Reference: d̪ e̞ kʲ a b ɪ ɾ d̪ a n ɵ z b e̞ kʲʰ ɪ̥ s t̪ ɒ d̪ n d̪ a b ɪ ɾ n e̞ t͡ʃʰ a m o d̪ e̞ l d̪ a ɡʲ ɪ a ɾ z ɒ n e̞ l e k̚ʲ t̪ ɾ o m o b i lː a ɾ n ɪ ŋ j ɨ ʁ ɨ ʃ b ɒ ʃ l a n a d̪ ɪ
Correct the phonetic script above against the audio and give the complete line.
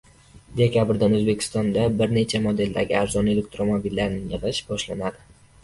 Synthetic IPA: d̪ e̞ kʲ a b ɪ ɾ d̪ a n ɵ z b e̞ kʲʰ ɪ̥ s t̪ ɒ n d̪ a b ɪ ɾ n e̞ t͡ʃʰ a m o d̪ e̞ l d̪ a ɡʲ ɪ a ɾ z ɒ n e̞ l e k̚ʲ t̪ ɾ o m o b i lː a ɾ n ɪ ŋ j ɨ ʁ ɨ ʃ b ɒ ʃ l a n a d̪ ɪ